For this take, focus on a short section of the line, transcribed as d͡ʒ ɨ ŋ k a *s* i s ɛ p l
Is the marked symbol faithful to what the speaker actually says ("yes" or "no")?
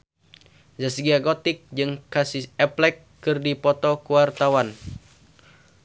yes